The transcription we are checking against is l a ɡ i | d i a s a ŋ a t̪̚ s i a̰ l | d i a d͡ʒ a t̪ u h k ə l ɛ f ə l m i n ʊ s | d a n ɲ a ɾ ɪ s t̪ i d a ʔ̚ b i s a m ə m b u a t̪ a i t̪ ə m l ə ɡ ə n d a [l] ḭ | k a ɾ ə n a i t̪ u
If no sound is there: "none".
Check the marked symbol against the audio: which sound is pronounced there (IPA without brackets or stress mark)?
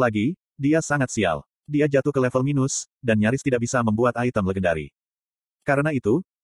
ɾ